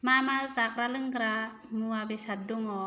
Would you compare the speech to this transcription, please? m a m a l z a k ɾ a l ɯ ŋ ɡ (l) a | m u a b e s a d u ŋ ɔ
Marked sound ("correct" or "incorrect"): incorrect